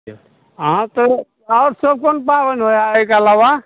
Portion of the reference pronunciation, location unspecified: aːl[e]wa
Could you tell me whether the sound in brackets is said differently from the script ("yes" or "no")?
yes